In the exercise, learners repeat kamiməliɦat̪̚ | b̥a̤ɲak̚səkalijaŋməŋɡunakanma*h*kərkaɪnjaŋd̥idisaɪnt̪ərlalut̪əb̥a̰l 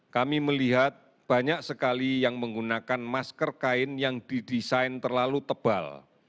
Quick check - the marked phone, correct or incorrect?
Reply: incorrect